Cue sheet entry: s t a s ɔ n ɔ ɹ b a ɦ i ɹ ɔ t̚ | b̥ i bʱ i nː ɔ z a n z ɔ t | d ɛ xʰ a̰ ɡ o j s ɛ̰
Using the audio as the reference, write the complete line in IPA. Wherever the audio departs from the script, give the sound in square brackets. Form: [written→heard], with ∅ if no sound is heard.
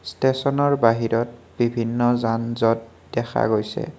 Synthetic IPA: s t [a→e] s ɔ n ɔ ɹ b a ɦ i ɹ ɔ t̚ | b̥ i bʱ i nː ɔ z a n z ɔ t | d ɛ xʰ a̰ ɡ o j s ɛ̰